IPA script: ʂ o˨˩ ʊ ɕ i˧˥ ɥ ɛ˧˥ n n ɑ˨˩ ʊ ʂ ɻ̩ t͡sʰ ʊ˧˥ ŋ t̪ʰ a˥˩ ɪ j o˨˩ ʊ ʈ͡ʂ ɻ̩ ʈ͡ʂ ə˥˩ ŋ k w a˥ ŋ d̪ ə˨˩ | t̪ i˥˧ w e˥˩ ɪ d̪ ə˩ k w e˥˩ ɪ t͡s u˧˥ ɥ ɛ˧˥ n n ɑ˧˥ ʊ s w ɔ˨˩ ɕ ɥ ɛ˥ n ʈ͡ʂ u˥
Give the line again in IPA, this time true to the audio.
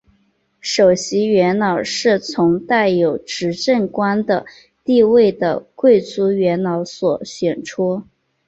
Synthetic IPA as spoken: ʂ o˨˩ ʊ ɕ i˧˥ ɥ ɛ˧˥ n n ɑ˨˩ ʊ ʂ ɻ̩ t͡sʰ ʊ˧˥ ŋ t̪ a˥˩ ɪ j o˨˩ ʊ ʈ͡ʂ ɻ̩ ʈ͡ʂ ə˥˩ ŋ k w a˥ n d̪ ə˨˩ | t̪ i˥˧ w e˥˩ ɪ d̪ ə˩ k w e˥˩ ɪ t͡s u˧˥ ɥ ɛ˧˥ n n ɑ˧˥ ʊ s w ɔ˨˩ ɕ ɥ ɛ˨˩ n ʈ͡ʂʰ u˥